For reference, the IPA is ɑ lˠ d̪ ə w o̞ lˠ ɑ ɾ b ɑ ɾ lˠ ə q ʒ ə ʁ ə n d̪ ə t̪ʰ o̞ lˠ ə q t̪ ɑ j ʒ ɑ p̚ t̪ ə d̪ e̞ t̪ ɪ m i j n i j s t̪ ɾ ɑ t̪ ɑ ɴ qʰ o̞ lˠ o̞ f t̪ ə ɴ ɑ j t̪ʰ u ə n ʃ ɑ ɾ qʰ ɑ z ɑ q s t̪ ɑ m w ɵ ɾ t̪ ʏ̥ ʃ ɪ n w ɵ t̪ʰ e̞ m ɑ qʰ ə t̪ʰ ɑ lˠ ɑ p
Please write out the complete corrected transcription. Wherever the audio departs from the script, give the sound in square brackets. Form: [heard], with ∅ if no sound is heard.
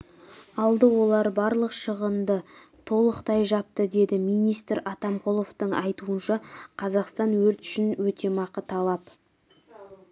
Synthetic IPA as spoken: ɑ lˠ d̪ ə w o̞ lˠ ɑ ɾ b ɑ ɾ lˠ ə q [ʃ] ə ʁ ə n d̪ ə t̪ʰ o̞ lˠ ə q t̪ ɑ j ʒ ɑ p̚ t̪ ə d̪ e̞ [d̪] ɪ m i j n i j s t̪ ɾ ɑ t̪ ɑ [m] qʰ o̞ lˠ o̞ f t̪ ə ɴ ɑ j [t̪] u ə n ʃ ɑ [∅] qʰ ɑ z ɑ q s t̪ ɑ [n] w ɵ ɾ t̪ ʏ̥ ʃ ɪ n w ɵ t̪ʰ e̞ m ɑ [q] ə t̪ʰ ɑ lˠ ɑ p